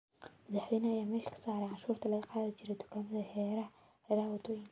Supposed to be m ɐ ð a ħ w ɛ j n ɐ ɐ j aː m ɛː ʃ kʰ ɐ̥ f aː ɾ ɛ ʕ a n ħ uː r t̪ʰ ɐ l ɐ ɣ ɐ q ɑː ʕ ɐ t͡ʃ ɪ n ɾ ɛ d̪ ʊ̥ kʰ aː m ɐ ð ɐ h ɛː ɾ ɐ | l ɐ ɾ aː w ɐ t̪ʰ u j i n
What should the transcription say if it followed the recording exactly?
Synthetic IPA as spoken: m ɐ ð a ħ w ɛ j n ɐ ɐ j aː m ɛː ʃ kʰ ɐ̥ s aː ɾ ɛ ʕ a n ʃ uː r t̪ʰ ɐ l ɐ ɣ ɐ q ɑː ð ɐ t͡ʃ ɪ ɾ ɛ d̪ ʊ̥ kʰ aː m ɐ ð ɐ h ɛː ɾ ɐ | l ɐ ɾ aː w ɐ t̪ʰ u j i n